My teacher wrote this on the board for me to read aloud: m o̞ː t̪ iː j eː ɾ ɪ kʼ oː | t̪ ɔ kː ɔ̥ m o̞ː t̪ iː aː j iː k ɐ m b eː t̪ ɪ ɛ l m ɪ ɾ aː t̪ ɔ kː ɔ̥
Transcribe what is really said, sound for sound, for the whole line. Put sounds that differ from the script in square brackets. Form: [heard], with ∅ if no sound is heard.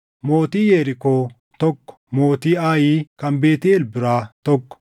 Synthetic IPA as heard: m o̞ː t̪ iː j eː ɾ ɪ [k] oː | t̪ ɔ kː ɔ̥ m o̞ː t̪ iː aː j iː k ɐ m b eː t̪ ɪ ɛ l [b] ɪ ɾ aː t̪ ɔ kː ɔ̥